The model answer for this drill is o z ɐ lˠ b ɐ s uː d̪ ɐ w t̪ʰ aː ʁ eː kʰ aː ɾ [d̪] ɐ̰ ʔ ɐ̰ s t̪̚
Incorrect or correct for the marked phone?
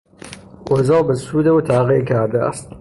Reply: correct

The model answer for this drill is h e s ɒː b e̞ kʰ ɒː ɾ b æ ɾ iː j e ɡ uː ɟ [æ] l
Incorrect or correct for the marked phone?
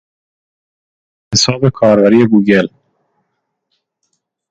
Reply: incorrect: e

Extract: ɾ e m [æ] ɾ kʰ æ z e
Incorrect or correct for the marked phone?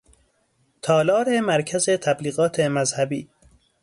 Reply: correct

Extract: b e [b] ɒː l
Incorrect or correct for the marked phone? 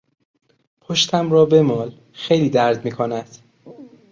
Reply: incorrect: m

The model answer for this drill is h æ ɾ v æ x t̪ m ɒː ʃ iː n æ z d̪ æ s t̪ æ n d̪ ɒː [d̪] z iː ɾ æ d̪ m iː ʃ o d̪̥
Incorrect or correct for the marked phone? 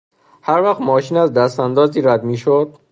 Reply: incorrect: none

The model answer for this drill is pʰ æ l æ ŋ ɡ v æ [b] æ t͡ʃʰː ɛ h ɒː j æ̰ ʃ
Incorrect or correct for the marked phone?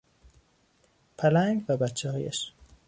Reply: correct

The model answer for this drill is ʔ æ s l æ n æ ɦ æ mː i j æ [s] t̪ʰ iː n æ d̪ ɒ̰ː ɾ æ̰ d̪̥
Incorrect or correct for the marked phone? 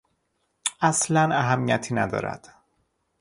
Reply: incorrect: none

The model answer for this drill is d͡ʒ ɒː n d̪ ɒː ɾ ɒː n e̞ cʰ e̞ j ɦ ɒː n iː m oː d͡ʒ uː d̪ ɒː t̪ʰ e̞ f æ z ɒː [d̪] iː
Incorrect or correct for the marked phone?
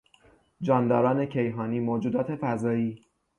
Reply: incorrect: none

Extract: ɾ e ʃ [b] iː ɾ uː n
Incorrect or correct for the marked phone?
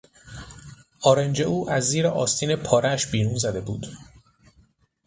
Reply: correct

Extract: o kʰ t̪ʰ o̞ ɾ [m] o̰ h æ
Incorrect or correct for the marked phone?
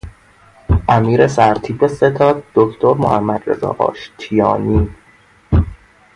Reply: correct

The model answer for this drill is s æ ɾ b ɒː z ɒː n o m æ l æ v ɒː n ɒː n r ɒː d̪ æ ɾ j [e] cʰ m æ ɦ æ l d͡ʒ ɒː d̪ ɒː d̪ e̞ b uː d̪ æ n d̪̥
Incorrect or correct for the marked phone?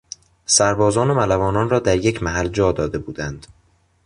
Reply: correct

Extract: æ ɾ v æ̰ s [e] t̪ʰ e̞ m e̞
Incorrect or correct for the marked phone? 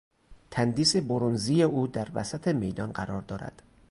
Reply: incorrect: æ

